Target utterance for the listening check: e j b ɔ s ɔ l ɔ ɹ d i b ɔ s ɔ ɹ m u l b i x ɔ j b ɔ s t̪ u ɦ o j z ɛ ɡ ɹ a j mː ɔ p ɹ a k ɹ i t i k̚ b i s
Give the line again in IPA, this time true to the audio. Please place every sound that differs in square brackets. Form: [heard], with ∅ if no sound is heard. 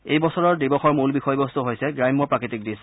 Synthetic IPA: e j b ɔ s ɔ [ɹ] ɔ ɹ d i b ɔ [x] ɔ ɹ m u l b i x ɔ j b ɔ s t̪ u ɦ o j [s] ɛ ɡ ɹ a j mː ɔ p ɹ a k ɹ i t i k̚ [d] i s